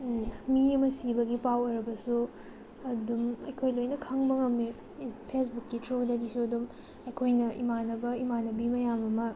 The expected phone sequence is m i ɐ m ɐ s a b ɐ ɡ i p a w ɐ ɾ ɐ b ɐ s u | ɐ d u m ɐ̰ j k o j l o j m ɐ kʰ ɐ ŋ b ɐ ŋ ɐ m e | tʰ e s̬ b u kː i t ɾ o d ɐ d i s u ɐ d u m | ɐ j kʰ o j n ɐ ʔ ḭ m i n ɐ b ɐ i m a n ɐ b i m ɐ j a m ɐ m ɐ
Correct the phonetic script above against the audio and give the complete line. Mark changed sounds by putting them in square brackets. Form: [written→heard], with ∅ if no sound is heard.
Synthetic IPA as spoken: m i ɐ m ɐ s [a→i] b ɐ ɡ i p a w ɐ ɾ ɐ b ɐ s u | ɐ d u m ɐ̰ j [k→kʰ] o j l o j [m→n] ɐ kʰ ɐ ŋ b ɐ ŋ ɐ m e | [tʰ→pʰ] e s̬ b u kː i t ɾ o d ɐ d i s u ɐ d u m | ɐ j kʰ o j n ɐ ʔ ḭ m [i→a] n ɐ b ɐ i m a n ɐ b i m ɐ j a m ɐ m ɐ